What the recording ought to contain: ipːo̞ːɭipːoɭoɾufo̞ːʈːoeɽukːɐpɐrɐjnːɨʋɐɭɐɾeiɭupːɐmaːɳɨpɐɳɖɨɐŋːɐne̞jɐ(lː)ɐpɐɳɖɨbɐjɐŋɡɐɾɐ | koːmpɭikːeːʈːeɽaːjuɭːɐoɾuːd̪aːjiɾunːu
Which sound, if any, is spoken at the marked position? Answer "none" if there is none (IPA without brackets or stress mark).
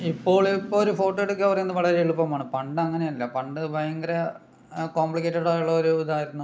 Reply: lː